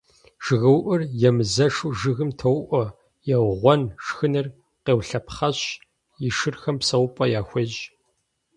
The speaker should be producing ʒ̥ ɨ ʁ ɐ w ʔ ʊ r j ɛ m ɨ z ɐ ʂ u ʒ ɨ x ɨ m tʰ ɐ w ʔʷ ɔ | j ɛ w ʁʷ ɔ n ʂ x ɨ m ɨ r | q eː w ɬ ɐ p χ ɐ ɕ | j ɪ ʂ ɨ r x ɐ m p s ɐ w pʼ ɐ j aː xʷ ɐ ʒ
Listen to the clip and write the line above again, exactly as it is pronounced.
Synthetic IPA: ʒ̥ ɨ ɣ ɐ w ʔ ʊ r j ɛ m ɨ z ɐ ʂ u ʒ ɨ ɣ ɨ m tʰ ɐ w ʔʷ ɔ | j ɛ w ʁʷ ɔ n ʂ x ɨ n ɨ r | q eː w ɬ ɐ p χ ɐ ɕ | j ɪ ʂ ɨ r x ɐ m p s ɐ w pʼ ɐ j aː xʷ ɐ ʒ